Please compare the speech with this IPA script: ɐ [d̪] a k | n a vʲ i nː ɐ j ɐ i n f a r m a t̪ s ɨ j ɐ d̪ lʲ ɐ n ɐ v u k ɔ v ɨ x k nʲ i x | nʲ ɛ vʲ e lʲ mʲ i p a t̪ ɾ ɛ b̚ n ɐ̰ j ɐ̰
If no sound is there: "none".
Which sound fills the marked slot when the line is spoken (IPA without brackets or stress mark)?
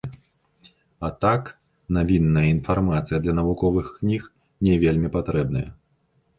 t̪